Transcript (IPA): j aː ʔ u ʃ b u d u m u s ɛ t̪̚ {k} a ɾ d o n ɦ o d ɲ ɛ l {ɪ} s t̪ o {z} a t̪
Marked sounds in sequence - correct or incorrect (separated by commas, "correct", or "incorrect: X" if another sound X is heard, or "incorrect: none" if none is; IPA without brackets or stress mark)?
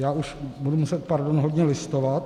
incorrect: p, correct, incorrect: v